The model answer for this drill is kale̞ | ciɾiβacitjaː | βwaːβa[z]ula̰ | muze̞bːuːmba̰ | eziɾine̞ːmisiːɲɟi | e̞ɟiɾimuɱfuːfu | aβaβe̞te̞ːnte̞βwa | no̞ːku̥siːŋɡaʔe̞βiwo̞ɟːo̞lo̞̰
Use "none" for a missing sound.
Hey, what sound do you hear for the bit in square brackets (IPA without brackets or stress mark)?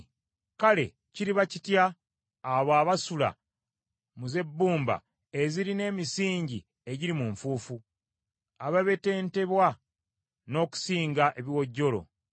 s